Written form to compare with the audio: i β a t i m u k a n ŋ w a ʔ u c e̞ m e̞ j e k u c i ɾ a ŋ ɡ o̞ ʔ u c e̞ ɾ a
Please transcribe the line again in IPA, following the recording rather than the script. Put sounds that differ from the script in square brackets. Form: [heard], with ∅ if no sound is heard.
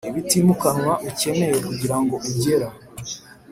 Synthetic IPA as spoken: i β [i] t i m u k a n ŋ w a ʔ u c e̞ m e̞ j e k u [ɟ] i ɾ a ŋ ɡ o̞ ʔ u [ɟ] e̞ ɾ a